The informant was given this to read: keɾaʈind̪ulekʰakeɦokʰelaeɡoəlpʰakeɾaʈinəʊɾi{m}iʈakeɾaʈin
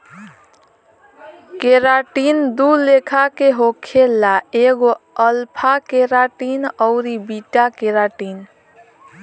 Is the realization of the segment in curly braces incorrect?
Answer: yes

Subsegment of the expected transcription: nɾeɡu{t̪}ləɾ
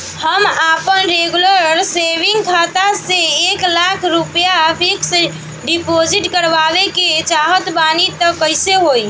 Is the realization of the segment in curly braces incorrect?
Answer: yes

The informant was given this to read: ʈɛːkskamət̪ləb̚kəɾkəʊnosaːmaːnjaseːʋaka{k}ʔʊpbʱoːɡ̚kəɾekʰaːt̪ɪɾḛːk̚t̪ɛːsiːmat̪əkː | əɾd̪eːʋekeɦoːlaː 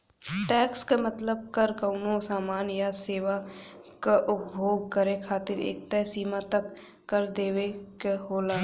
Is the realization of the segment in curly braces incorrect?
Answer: yes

